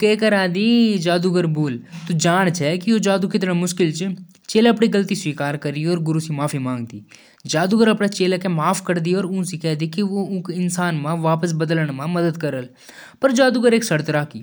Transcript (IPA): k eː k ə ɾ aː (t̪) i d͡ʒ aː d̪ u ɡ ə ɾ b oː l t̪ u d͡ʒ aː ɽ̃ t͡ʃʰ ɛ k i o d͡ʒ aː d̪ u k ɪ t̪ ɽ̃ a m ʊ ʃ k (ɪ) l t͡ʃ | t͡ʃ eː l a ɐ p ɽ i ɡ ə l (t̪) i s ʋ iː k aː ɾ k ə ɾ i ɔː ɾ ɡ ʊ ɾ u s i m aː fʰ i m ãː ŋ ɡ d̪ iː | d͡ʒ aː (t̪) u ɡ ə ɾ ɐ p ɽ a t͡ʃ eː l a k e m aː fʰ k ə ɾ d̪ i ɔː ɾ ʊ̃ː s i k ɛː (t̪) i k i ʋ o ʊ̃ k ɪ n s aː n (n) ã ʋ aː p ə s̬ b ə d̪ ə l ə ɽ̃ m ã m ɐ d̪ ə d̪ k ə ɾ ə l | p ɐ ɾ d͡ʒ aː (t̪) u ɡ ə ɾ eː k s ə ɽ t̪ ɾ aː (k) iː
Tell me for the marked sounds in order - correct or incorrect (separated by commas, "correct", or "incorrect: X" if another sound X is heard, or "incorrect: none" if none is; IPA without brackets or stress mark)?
incorrect: d̪, correct, correct, incorrect: d̪, incorrect: d̪, incorrect: m, incorrect: d̪, correct